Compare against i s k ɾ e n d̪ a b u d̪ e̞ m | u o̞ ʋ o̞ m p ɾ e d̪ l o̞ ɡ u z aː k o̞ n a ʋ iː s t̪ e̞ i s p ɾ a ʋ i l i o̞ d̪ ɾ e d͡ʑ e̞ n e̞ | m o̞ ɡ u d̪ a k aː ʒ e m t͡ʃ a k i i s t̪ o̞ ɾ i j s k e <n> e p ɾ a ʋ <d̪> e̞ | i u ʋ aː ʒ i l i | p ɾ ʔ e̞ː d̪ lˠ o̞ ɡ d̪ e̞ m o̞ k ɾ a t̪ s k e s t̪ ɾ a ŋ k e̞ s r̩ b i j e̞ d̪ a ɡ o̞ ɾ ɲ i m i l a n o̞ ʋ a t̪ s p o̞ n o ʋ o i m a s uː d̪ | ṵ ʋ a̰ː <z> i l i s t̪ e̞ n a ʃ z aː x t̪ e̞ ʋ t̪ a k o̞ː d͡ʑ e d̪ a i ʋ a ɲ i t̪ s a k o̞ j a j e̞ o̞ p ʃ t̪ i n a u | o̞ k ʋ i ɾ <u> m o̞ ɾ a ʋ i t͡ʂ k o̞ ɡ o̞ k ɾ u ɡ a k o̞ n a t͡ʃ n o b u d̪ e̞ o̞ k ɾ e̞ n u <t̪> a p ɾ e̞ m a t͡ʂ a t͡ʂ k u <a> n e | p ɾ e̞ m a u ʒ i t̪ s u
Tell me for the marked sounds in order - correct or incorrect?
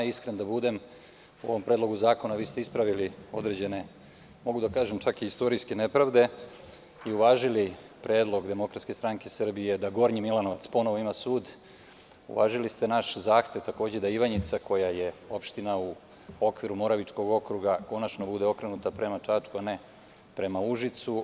correct, correct, incorrect: ʒ, correct, correct, correct

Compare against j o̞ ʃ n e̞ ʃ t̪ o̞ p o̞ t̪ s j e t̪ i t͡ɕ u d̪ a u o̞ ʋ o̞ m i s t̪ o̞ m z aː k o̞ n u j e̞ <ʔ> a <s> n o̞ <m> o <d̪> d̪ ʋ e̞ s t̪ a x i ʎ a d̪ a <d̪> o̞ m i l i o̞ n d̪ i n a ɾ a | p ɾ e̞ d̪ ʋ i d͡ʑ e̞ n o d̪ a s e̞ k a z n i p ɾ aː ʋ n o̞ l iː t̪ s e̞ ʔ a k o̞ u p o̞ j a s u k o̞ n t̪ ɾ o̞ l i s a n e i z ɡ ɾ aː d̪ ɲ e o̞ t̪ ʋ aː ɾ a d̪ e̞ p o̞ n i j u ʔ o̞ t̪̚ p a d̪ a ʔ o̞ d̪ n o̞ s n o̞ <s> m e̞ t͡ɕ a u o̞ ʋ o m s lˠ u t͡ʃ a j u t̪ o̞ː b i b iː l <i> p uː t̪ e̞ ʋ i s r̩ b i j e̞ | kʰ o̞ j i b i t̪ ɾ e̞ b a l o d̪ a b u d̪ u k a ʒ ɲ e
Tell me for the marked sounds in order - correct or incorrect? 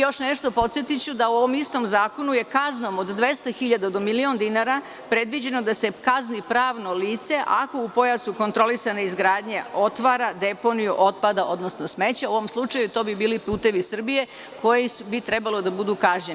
incorrect: k, incorrect: z, correct, correct, correct, correct, correct

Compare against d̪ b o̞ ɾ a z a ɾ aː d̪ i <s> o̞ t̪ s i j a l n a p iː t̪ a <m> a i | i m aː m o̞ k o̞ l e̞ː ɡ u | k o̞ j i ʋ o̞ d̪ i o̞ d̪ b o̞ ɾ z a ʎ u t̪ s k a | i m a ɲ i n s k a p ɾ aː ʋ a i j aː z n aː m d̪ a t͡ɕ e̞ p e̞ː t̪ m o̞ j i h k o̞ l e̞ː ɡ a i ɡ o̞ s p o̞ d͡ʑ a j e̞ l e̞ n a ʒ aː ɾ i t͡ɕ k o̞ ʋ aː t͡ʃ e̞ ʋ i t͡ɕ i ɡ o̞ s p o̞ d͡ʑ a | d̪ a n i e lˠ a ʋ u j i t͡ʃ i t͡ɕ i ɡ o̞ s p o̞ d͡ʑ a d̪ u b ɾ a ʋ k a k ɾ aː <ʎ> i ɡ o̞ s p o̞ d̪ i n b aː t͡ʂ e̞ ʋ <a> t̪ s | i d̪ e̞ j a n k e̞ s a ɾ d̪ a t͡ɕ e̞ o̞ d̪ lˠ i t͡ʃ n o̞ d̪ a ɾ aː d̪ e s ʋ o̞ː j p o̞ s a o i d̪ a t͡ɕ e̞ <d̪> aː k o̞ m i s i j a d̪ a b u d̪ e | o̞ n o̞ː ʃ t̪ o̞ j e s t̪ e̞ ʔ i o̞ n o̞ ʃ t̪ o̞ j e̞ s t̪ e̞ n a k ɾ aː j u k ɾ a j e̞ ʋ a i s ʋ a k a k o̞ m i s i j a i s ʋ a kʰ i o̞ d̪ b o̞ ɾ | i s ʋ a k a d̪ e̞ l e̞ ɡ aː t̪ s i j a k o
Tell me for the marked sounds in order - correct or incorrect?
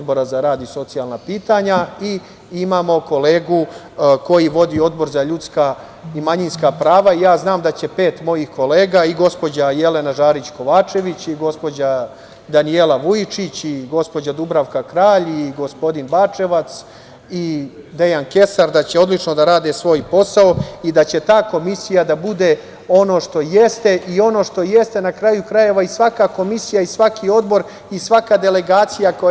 correct, incorrect: ɲ, correct, correct, incorrect: t̪

